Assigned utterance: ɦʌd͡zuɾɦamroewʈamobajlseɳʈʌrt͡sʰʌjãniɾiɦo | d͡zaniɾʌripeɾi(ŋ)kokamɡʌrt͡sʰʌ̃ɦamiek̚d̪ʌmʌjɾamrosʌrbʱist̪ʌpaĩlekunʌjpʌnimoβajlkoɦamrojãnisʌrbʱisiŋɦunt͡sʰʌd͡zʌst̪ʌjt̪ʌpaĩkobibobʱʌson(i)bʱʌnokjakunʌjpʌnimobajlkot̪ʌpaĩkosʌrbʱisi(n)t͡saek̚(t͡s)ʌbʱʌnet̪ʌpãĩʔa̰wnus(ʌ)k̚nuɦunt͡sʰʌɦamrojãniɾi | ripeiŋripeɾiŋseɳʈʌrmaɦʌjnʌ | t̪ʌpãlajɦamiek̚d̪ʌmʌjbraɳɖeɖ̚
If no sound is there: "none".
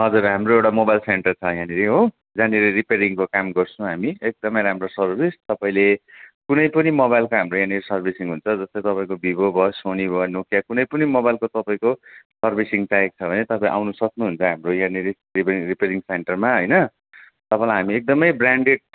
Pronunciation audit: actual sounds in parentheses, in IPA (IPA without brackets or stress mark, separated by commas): ŋ, i, ŋ, t͡sʰ, ʌ